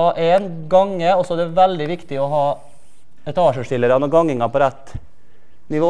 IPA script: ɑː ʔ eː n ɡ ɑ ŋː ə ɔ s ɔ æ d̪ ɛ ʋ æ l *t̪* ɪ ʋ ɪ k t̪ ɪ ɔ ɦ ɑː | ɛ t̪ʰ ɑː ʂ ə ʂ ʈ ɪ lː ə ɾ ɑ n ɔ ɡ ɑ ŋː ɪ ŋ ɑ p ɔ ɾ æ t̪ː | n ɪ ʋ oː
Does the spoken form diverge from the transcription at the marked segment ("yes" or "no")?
yes